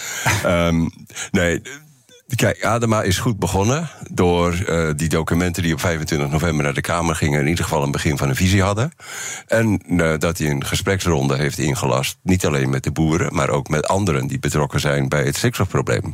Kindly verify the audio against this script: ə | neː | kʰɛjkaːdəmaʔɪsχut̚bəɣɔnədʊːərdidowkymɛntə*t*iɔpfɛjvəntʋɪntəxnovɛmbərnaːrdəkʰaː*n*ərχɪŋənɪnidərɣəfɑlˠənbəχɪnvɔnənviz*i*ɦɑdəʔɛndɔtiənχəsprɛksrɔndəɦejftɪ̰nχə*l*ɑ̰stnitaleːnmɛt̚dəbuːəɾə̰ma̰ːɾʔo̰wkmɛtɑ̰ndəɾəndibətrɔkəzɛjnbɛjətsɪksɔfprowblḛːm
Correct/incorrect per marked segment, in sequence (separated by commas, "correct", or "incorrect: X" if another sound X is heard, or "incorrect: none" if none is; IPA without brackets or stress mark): incorrect: d, incorrect: m, correct, correct